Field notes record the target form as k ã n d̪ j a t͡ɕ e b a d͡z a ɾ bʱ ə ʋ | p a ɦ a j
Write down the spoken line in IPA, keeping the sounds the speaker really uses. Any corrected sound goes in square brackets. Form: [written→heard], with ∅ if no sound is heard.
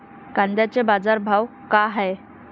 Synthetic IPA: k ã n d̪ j a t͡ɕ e b a d͡z a ɾ bʱ [ə→a] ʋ | [p→k] a ɦ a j